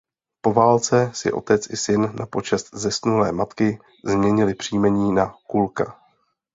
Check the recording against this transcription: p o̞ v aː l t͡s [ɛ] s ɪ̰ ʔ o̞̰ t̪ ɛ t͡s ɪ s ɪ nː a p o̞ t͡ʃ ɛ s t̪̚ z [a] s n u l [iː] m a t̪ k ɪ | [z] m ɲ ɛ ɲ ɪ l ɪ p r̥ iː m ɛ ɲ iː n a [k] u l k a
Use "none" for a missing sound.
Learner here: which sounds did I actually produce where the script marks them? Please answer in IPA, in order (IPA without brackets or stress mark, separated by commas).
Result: ɛ, ɛ, ɛː, z, k